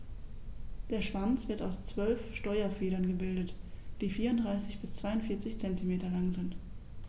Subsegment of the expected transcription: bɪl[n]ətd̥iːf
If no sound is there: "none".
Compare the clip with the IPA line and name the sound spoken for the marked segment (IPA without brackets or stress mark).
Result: d